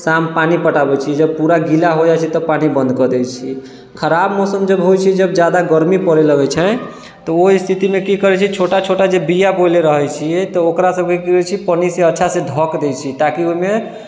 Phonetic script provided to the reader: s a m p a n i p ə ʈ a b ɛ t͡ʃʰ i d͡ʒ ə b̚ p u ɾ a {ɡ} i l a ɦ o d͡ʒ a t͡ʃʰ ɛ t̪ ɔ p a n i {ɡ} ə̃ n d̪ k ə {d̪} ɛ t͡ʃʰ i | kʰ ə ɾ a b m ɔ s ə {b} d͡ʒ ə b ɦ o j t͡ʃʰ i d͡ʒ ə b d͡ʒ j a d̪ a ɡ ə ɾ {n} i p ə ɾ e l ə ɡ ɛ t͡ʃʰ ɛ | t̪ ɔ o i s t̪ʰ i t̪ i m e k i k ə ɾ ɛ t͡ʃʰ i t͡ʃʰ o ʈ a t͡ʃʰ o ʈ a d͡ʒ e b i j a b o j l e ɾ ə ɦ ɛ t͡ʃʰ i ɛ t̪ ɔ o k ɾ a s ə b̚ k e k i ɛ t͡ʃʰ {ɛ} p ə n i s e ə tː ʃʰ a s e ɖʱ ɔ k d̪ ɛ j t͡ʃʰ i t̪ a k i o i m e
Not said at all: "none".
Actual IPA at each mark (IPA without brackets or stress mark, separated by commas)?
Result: ɡ, b, d̪, m, m, i